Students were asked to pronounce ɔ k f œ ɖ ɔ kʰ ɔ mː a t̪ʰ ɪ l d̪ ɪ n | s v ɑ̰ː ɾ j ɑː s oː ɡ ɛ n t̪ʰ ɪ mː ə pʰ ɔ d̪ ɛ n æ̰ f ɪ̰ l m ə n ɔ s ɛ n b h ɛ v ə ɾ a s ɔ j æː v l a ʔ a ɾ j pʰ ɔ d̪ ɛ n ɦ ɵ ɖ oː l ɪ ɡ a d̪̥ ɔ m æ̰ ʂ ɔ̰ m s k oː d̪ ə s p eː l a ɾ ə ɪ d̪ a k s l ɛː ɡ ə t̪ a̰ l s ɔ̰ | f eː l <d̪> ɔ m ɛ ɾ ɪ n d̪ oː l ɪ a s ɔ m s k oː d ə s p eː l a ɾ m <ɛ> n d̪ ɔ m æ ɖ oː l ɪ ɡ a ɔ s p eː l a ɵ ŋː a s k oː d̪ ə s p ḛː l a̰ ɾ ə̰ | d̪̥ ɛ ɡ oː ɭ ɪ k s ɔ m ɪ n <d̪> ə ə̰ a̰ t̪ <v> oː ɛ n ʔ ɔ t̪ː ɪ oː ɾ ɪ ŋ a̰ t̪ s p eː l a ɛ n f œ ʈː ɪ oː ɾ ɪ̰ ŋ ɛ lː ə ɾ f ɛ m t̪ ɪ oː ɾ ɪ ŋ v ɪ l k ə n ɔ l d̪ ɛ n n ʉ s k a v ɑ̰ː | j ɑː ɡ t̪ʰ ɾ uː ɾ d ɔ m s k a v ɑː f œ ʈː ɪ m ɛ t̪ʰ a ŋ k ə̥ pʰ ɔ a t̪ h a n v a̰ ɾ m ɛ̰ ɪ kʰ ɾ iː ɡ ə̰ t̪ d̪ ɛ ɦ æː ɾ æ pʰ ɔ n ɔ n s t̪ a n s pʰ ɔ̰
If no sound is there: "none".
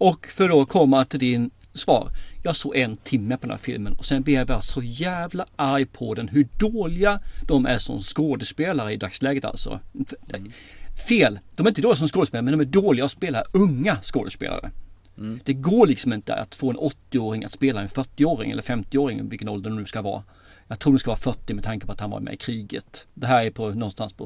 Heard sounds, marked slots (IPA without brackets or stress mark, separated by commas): d̪, ɛ, t̪, f